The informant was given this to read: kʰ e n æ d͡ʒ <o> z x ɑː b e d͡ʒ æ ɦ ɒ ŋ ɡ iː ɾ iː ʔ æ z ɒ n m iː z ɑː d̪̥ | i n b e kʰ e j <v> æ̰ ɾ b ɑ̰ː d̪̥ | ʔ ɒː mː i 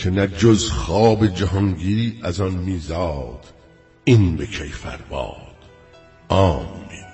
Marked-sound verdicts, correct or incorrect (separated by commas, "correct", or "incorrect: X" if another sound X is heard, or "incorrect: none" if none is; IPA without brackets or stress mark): correct, incorrect: f